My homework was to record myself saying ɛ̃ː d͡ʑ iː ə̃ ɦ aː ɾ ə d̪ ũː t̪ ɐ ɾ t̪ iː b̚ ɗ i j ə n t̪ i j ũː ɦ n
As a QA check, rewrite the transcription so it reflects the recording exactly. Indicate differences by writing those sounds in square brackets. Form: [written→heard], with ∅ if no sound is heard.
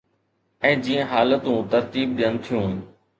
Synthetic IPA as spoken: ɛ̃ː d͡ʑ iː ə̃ ɦ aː [ɾ→l] ə [d̪→t̪] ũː t̪ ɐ ɾ t̪ iː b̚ ɗ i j ə n [t̪→t̪ʰ] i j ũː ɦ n